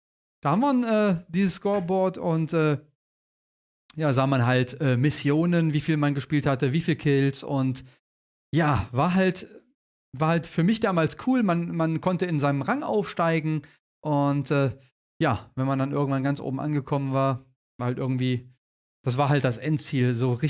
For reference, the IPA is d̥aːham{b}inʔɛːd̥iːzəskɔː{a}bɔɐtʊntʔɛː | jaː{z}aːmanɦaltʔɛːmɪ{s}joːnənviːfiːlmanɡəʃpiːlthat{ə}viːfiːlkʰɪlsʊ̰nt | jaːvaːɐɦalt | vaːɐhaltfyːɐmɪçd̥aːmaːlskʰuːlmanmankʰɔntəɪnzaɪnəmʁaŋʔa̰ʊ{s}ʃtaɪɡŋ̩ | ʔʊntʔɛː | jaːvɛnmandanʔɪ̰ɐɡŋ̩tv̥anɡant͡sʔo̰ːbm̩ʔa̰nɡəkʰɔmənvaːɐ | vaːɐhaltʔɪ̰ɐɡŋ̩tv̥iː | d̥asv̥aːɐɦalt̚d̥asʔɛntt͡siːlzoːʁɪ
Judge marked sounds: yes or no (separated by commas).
no, no, yes, yes, yes, no